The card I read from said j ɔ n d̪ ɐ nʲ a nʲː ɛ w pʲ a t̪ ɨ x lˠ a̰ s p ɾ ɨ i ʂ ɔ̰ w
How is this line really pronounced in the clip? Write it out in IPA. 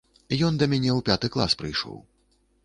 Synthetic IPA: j ɔ n d̪ ɐ mʲ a nʲ ɛ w pʲ a t̪ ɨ k lˠ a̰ s p ɾ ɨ j ʂ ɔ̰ w